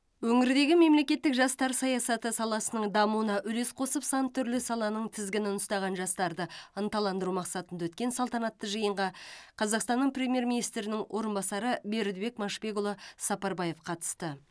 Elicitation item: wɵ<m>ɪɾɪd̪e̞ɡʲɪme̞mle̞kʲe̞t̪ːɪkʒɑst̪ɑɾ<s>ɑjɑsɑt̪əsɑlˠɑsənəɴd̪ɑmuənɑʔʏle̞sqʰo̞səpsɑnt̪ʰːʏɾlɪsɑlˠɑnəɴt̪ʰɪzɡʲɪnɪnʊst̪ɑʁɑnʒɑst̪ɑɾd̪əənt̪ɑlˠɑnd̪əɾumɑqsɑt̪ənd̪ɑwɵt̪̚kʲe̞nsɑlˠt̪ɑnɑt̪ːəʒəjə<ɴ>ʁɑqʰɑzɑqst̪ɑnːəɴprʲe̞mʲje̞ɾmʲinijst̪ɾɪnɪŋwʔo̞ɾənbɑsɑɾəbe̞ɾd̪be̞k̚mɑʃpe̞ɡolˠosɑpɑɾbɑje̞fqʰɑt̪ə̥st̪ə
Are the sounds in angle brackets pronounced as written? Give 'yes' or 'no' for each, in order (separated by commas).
no, yes, yes